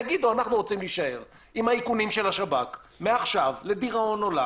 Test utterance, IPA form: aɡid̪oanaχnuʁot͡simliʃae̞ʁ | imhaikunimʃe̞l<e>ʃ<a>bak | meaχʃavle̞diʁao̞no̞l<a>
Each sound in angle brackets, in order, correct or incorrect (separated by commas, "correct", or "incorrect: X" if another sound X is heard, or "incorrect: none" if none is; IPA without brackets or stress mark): incorrect: a, correct, correct